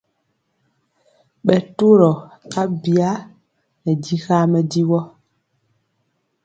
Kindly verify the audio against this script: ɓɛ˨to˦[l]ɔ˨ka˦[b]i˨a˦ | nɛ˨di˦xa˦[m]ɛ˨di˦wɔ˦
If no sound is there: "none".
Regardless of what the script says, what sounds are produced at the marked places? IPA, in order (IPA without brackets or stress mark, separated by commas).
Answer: ɾ, b, m